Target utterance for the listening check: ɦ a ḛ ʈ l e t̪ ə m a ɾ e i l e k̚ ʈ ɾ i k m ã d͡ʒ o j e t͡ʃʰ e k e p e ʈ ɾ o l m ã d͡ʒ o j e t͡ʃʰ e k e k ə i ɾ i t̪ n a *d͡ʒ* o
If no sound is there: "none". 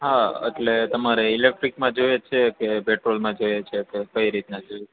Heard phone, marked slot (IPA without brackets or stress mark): d͡ʒ